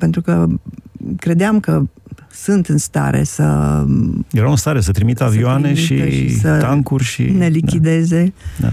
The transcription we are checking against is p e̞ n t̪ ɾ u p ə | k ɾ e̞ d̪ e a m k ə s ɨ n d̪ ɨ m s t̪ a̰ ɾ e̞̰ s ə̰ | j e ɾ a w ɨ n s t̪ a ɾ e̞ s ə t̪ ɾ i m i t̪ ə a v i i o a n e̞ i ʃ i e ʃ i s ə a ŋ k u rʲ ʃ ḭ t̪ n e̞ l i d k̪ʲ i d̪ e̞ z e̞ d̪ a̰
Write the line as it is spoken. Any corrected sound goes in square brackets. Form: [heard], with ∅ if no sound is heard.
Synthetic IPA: p e̞ n t̪ ɾ u [k] ə | k ɾ e̞ d̪ e a m k ə s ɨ n [t̪] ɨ [n] s t̪ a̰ ɾ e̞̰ s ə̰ | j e ɾ a w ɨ n s t̪ a ɾ e̞ s ə t̪ ɾ i m i t̪ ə a v i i o a n e̞ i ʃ i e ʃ i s ə a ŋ k u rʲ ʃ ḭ [∅] n e̞ l i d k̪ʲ i d̪ e̞ z e̞ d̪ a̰